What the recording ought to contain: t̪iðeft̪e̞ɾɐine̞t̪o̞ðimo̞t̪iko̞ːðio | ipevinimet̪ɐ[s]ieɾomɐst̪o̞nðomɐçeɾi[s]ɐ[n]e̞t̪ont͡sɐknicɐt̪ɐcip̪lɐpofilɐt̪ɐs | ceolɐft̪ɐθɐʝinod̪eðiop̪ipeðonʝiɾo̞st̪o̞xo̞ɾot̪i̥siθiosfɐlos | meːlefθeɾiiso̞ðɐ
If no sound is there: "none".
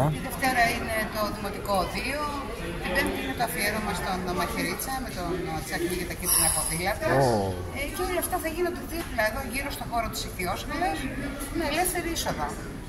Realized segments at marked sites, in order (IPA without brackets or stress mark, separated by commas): f, t͡s, m